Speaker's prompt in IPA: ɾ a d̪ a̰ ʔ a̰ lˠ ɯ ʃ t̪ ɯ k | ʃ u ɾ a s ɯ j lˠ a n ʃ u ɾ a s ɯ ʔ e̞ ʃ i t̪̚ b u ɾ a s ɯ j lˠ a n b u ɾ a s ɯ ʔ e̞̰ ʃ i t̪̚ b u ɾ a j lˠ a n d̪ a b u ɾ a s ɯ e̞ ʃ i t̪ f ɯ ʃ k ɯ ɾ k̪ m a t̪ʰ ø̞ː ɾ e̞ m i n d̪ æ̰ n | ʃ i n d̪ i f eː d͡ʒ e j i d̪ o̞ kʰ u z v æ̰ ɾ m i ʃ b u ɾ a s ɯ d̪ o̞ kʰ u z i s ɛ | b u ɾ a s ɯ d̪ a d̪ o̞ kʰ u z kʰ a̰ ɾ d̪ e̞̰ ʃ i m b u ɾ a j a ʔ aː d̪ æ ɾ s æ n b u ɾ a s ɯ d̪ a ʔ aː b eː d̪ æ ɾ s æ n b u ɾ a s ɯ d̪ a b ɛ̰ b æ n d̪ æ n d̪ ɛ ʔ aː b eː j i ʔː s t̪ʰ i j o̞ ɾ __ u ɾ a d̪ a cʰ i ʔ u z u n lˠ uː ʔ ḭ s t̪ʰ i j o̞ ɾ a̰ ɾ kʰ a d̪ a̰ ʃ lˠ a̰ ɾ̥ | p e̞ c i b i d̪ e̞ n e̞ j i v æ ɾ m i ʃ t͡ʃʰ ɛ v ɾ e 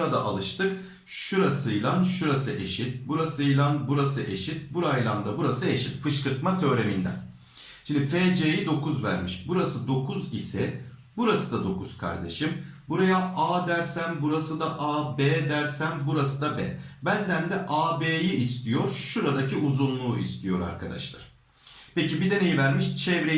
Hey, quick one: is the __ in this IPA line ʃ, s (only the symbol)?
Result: ʃ